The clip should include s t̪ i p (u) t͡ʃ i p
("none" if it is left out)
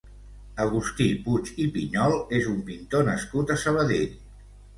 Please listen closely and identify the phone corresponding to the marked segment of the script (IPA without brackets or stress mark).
u